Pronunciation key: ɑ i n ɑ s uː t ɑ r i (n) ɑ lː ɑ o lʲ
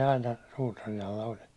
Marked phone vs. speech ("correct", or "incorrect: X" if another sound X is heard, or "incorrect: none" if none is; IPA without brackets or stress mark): correct